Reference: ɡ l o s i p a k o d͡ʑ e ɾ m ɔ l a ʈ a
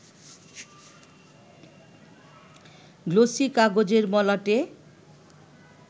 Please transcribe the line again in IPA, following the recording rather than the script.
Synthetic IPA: ɡ l o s i k a ɡ o d͡ʑ e ɾ m ɔ l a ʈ e